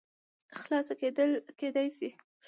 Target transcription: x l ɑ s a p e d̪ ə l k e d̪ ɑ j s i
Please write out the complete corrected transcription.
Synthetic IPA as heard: x l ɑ s a k e d̪ ə l k e d̪ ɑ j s i